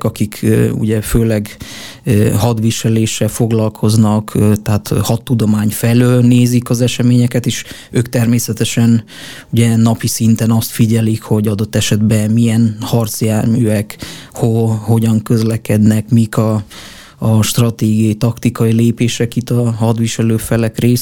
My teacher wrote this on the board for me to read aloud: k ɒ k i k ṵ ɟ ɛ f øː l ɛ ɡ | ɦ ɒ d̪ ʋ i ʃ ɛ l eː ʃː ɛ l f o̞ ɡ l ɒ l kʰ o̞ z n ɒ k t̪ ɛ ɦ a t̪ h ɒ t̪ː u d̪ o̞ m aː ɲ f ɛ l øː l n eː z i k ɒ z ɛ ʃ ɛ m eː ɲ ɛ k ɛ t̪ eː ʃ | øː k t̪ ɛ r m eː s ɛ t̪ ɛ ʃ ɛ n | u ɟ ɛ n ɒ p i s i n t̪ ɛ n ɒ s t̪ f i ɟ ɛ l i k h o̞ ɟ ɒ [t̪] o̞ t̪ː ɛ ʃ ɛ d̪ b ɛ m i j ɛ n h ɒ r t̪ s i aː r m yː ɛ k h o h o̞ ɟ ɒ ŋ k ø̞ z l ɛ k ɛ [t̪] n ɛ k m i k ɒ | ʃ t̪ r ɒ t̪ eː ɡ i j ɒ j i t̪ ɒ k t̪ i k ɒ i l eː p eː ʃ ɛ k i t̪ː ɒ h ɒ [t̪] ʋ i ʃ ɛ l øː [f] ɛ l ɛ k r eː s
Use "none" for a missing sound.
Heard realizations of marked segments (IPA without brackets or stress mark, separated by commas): d̪, d̪, d̪, f